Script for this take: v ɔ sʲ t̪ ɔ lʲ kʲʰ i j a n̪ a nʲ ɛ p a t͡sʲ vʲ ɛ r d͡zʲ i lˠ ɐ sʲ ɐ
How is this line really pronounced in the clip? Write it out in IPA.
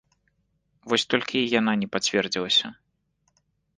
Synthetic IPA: v ɔ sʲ t̪ ɔ lʲ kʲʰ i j a n̪ a nʲ ɛ p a t͡sʲ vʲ ɛ r d͡zʲ i lˠ ɐ sʲ ɐ